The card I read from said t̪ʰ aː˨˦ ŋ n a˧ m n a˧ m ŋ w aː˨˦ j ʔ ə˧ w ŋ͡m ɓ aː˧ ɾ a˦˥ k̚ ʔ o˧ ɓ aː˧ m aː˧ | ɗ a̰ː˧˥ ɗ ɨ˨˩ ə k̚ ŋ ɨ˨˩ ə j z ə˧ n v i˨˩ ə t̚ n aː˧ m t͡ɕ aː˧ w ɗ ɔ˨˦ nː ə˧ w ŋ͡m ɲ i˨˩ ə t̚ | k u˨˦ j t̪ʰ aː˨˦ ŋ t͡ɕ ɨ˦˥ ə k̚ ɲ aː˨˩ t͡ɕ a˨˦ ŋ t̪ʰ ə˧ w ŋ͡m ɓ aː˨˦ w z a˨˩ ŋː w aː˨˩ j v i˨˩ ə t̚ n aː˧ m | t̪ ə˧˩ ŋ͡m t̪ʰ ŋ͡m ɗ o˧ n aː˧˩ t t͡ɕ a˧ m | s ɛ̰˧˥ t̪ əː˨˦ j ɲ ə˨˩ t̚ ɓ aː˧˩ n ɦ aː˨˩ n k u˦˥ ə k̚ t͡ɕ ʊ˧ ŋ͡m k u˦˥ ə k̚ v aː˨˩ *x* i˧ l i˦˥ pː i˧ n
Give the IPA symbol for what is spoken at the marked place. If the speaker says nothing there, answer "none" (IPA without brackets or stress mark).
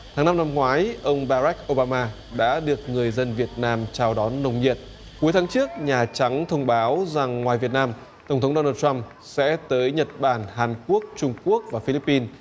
f